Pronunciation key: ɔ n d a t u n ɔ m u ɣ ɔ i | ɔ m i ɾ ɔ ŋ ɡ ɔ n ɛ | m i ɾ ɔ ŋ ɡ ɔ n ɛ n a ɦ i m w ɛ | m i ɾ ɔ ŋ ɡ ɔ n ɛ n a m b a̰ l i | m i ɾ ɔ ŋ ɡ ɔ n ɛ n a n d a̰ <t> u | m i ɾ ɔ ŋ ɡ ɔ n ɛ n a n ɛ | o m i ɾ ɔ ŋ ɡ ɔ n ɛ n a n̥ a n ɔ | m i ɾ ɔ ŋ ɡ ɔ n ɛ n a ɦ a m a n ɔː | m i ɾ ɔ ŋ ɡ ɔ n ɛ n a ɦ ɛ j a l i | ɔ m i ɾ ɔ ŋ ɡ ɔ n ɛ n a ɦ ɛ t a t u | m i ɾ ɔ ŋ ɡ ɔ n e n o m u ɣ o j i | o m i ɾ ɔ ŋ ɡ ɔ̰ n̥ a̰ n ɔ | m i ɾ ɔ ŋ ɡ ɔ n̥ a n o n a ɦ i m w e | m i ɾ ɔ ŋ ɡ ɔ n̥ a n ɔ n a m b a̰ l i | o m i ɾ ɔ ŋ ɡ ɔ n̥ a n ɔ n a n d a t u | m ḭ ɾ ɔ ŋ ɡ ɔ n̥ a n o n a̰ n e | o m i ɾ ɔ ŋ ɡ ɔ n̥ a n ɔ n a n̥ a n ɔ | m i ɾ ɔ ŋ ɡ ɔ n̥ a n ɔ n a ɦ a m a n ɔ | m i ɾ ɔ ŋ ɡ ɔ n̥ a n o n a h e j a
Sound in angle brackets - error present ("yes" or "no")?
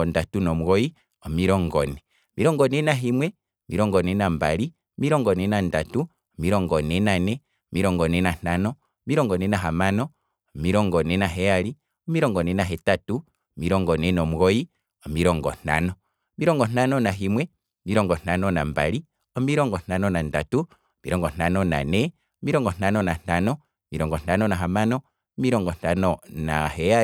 no